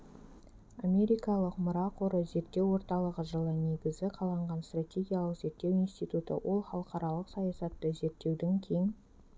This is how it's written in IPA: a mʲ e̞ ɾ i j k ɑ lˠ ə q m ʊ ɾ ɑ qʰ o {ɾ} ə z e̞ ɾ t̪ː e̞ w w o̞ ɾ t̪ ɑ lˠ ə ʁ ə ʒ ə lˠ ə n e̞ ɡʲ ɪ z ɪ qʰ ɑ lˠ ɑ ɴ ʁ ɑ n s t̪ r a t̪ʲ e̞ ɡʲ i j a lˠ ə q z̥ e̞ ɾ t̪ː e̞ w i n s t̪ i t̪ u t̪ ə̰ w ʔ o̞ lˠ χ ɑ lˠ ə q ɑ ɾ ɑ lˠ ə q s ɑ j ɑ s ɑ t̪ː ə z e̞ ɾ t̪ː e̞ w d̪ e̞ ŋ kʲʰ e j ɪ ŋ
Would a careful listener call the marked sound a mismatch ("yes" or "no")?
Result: no